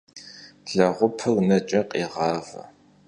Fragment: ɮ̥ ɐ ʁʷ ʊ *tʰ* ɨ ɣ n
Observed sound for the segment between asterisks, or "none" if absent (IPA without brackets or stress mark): pʰ